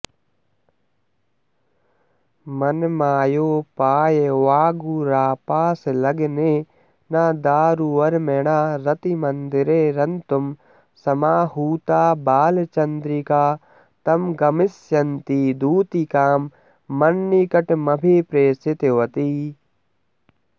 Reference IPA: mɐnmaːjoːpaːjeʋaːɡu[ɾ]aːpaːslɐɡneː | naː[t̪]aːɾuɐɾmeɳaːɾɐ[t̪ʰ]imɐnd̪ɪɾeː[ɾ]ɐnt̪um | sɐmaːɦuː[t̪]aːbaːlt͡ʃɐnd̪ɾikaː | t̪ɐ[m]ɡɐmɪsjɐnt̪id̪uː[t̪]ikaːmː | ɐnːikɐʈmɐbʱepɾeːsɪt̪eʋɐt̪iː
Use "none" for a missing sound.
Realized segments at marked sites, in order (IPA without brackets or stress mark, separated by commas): ɾ, d̪, t̪, ɾ, t̪, m, t̪